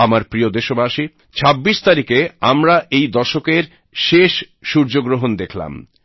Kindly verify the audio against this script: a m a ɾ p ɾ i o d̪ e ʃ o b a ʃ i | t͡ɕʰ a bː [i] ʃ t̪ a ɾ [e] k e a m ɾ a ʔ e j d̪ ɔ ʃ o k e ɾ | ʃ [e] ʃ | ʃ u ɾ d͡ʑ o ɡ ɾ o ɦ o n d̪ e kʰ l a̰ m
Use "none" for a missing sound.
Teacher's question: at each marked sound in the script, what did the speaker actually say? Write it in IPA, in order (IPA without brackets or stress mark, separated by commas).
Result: i, i, e